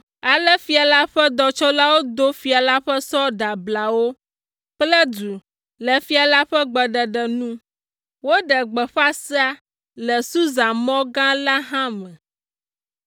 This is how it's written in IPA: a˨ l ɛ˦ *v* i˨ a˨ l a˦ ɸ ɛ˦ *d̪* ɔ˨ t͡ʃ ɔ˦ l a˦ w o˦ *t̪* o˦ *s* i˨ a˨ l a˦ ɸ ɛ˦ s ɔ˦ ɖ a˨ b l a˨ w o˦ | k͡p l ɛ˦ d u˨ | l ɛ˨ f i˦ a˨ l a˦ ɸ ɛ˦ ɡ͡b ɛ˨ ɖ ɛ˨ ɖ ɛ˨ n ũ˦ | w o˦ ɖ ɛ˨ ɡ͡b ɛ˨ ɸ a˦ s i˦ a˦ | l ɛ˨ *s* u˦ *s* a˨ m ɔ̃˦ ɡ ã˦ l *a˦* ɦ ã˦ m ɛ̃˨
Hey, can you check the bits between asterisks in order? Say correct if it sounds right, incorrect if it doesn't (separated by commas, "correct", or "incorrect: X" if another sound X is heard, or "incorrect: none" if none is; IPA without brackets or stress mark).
incorrect: f, correct, incorrect: d̪, incorrect: f, correct, incorrect: z, correct